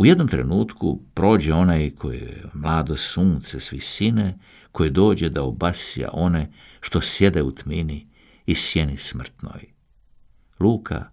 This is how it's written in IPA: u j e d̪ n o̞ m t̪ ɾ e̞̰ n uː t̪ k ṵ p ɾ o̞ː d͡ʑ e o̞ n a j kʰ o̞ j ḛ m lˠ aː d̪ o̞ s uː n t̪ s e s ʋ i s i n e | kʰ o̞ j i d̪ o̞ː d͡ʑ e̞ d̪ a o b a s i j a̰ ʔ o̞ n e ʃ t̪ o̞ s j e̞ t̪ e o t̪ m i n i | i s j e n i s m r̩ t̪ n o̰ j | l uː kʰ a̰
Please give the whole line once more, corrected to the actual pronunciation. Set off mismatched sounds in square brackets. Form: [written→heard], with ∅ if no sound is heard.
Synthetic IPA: u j e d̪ n o̞ m t̪ ɾ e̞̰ n uː t̪ k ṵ p ɾ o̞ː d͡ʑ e o̞ n a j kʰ o̞ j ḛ m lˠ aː d̪ o̞ s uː n t̪ s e s ʋ i s i n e | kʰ o̞ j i d̪ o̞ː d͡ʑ e̞ d̪ a o b a s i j a̰ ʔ o̞ n e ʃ t̪ o̞ s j e̞ [t̪→d̪] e [o→u] t̪ m i n i | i s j e n i s m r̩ t̪ n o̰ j | l uː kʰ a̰